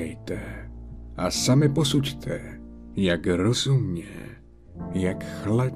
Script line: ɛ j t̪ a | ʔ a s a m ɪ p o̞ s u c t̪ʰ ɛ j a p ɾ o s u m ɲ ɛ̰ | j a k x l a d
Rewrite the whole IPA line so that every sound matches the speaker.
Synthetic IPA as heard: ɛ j t̪ ɛ | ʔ a s a m ɪ p o̞ s u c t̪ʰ ɛ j a k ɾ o z u m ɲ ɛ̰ | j a k x l a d